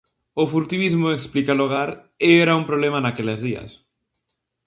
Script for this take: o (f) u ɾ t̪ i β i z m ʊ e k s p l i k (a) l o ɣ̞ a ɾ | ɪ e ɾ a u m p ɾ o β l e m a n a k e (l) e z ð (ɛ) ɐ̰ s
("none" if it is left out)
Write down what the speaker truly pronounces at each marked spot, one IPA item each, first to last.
f, a, l, i

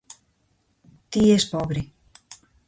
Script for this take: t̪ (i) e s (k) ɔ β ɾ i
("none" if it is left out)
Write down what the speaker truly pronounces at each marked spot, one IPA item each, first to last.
i, p

